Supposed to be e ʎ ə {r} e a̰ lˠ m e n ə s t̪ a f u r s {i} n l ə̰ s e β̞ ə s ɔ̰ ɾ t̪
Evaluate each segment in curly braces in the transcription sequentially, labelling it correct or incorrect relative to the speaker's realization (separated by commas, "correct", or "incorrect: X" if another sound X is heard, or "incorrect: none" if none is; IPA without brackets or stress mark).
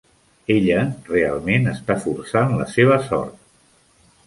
correct, incorrect: a